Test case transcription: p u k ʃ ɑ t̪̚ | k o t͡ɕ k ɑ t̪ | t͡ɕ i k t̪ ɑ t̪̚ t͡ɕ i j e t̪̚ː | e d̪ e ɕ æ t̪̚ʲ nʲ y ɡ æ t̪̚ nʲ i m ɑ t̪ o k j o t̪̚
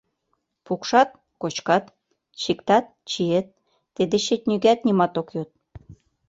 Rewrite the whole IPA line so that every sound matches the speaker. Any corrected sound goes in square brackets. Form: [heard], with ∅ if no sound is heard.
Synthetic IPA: p u k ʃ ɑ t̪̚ | k o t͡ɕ k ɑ t̪ | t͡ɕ i k t̪ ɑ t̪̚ t͡ɕ i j e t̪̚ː | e d̪ e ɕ [e] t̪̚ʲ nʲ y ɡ æ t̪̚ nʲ i m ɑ t̪ o k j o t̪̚